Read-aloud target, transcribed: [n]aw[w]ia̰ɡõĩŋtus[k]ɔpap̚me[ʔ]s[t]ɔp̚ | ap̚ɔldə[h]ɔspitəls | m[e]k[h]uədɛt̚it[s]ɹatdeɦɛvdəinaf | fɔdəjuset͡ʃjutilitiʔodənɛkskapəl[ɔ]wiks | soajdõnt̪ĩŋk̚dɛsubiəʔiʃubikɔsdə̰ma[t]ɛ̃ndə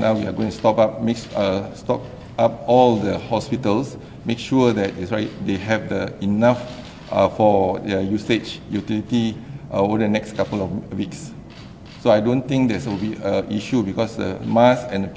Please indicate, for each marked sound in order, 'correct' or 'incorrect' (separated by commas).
correct, correct, incorrect, incorrect, correct, correct, correct, incorrect, correct, correct, incorrect